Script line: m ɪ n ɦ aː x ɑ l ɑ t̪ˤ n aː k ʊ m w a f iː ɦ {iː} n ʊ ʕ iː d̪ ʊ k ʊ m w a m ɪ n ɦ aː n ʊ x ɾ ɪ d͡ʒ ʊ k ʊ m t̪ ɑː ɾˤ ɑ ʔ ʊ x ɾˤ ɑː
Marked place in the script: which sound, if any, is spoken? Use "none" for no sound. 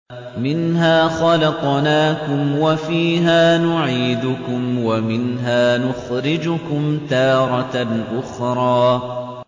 aː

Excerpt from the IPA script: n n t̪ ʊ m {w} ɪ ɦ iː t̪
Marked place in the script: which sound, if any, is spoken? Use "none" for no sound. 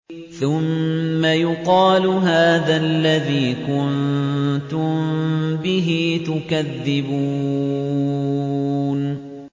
b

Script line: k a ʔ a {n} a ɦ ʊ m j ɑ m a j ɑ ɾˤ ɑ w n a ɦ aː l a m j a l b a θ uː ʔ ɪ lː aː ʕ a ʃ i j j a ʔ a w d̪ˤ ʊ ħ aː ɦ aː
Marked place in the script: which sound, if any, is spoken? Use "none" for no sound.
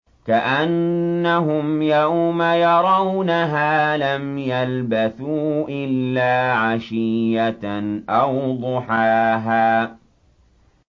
nː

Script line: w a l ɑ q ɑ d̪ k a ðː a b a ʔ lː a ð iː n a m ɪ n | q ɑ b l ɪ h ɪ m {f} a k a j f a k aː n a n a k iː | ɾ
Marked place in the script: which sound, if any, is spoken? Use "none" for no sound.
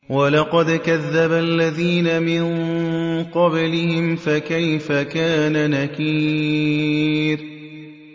f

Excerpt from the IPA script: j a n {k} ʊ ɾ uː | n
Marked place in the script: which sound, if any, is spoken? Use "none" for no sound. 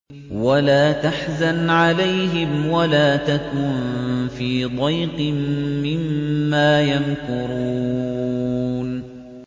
k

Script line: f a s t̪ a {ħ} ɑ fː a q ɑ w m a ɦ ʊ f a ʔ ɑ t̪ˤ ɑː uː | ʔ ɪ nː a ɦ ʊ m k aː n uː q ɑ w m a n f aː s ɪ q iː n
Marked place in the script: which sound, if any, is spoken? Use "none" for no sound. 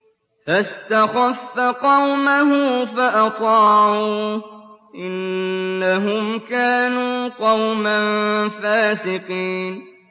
x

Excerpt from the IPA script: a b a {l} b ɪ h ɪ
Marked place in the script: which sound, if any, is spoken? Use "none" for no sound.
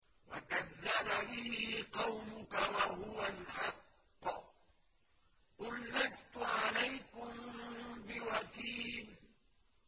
none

